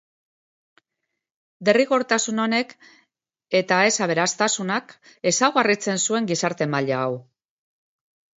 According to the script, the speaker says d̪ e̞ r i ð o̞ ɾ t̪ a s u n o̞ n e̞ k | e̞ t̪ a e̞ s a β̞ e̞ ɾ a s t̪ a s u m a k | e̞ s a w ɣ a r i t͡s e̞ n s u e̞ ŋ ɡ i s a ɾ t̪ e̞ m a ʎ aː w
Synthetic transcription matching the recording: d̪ e̞ r i ɣ o̞ ɾ t̪ a s u n o̞ n e̞ k | e̞ t̪ a e̞ s a β̞ e̞ ɾ a s t̪ a s u n a k | e̞ s a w ɣ a r i t͡s e̞ n s u e̞ ŋ ɡ i s a ɾ t̪ e̞ m a ʎ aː w

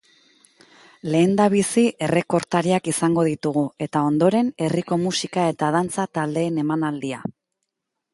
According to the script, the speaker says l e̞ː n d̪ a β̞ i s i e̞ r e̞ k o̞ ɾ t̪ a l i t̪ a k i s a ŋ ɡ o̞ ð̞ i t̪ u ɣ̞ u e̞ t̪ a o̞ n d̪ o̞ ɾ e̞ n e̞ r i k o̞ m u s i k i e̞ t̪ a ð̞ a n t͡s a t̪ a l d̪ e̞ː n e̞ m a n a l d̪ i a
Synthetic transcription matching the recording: l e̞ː n d̪ a β̞ i s i e̞ r e̞ k o̞ ɾ t̪ a ɾ i a k i s a ŋ ɡ o̞ ð̞ i t̪ u ɣ̞ u e̞ t̪ a o̞ n d̪ o̞ ɾ e̞ n e̞ r i k o̞ m u s i k a e̞ t̪ a ð̞ a n t͡s a t̪ a l d̪ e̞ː n e̞ m a n a l d̪ i a

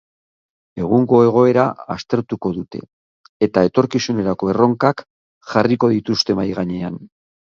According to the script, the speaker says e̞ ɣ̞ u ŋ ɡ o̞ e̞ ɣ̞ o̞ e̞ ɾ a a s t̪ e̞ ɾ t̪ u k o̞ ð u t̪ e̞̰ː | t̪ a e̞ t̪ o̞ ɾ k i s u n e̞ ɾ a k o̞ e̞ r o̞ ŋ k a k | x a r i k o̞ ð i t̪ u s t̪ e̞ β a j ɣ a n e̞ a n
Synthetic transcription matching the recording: e̞ ɣ̞ u ŋ ɡ o̞ e̞ ɣ̞ o̞ e̞ ɾ a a s t̪ e̞ ɾ t̪ u k o̞ ð u t̪ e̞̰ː | t̪ a e̞ t̪ o̞ ɾ k i s u n e̞ ɾ a k o̞ e̞ r o̞ ŋ k a k | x a r i k o̞ ð i t̪ u s t̪ e̞ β a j ɣ a ɲ e̞ a n

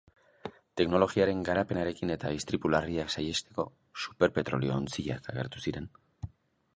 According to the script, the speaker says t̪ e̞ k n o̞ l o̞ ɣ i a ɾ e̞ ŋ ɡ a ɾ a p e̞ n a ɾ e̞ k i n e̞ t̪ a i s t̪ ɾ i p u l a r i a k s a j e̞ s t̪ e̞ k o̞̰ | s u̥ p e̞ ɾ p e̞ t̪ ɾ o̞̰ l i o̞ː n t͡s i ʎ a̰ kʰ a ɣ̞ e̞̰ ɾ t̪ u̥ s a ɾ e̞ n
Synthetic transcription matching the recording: t̪ e̞ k n o̞ l o̞ ɣ i a ɾ e̞ ŋ ɡ a ɾ a p e̞ n a ɾ e̞ k i n e̞ t̪ a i s t̪ ɾ i p u l a r i a k s a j e̞ s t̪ e̞ k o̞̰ | s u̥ p e̞ ɾ p e̞ t̪ ɾ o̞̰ l i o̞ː n t͡s i ʎ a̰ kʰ a ɣ̞ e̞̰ ɾ t̪ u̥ s i ɾ e̞ n

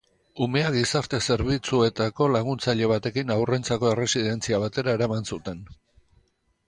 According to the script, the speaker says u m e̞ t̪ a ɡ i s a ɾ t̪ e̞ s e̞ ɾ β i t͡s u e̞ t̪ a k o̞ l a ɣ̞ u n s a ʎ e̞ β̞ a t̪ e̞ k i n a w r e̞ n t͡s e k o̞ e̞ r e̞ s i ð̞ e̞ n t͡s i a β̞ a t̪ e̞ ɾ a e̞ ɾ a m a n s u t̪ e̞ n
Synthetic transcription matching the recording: u m e̞ a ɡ i s a ɾ t̪ e̞ s e̞ ɾ β i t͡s u e̞ t̪ a k o̞ l a ɣ̞ u n t͡s a ʎ e̞ β̞ a t̪ e̞ k i n a w r e̞ n t͡s a k o̞ e̞ r e̞ s i ð̞ e̞ n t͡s i a β̞ a t̪ e̞ ɾ a e̞ ɾ a m a n s u t̪ e̞ n

